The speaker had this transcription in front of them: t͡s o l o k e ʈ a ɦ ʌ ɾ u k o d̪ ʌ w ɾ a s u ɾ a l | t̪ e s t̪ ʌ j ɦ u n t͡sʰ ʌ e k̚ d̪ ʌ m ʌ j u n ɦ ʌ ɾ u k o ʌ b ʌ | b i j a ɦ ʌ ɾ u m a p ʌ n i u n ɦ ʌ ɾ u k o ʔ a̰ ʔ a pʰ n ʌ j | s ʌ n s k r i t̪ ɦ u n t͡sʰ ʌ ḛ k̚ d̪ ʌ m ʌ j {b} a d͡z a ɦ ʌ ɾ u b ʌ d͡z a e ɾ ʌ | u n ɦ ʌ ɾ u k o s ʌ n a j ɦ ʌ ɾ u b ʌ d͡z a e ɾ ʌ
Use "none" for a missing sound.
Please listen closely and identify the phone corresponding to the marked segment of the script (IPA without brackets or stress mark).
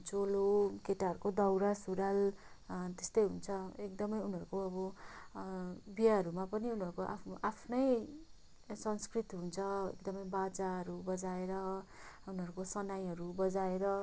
b